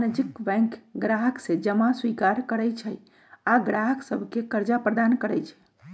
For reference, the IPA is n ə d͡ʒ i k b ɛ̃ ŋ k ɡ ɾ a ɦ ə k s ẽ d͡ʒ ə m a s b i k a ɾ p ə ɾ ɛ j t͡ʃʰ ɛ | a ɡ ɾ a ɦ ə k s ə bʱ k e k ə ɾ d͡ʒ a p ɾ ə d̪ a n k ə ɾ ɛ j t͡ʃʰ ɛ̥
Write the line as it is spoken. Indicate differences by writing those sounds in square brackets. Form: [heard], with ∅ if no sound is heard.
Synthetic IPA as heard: n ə d͡ʒ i k b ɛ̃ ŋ k ɡ ɾ a ɦ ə k s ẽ d͡ʒ ə m a s [w] i k a ɾ [k] ə ɾ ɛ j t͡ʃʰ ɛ | a ɡ ɾ a ɦ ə k s ə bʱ k e k ə ɾ d͡ʒ a p ɾ ə d̪ a n k ə ɾ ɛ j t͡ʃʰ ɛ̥